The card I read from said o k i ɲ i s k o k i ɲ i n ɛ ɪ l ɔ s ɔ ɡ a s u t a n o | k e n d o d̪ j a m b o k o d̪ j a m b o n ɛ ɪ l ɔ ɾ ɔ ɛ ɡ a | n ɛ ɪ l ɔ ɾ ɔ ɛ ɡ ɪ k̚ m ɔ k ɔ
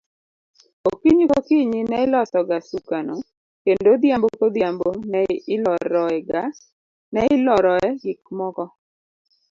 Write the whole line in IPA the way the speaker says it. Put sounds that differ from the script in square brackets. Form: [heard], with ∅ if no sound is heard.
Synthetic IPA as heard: o k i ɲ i [∅] k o k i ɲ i n ɛ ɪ l ɔ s ɔ ɡ a s u [k] a n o | k e n d o d̪ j a m b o k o d̪ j a m b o n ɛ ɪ l ɔ ɾ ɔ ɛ ɡ a | n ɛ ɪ l ɔ ɾ ɔ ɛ ɡ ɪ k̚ m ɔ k ɔ